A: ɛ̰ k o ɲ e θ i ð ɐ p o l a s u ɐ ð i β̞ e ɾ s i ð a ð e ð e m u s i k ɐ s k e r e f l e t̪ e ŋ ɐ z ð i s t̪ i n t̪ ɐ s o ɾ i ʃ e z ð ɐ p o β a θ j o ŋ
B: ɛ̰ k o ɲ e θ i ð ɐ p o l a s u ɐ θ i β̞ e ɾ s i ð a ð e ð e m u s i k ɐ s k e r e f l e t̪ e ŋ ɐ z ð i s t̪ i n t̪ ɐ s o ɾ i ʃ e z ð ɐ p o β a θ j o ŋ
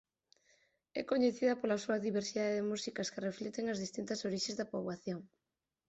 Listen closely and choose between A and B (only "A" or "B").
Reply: A